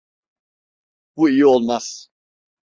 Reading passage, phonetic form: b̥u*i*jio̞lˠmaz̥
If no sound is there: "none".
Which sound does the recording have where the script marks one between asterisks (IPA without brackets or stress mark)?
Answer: i